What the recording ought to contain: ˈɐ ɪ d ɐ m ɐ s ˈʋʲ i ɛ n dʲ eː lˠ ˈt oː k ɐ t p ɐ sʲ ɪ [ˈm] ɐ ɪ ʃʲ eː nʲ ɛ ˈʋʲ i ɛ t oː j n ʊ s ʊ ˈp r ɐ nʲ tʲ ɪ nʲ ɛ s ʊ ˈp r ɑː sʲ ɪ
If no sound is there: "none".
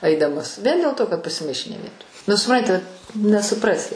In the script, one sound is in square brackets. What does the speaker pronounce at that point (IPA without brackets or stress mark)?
m